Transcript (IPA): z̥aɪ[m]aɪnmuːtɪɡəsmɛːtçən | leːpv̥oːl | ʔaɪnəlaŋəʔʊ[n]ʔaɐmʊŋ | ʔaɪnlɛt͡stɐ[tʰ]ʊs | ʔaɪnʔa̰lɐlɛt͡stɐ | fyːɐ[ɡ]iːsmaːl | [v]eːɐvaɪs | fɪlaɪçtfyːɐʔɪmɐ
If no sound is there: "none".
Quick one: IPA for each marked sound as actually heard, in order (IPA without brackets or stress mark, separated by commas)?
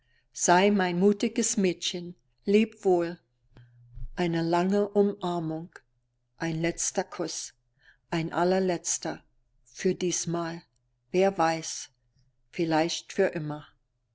m, m, kʰ, d, v